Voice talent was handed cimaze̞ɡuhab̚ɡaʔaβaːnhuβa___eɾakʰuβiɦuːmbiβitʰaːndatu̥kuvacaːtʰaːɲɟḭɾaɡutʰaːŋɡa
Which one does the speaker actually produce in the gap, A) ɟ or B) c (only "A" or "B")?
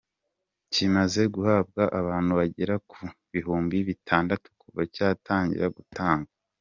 A